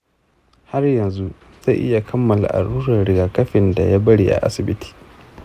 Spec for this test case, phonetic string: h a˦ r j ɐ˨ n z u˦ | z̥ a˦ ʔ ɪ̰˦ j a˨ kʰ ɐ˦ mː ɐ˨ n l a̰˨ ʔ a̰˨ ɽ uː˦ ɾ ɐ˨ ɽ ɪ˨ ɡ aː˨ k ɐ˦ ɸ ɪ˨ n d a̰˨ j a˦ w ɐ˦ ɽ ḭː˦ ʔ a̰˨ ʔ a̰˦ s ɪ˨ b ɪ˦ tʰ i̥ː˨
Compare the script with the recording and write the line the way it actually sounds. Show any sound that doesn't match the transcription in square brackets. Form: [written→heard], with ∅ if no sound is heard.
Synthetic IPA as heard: h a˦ r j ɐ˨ n z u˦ | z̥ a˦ ʔ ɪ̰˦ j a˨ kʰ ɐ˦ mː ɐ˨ [n→∅] l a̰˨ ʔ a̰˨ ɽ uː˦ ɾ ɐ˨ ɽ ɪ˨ ɡ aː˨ k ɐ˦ ɸ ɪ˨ n d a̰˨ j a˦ [w→b] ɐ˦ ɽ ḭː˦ ʔ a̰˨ ʔ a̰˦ s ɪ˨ b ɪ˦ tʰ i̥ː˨